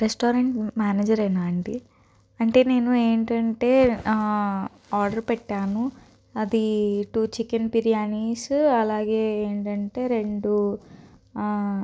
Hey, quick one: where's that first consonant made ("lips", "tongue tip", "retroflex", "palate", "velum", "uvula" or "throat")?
tongue tip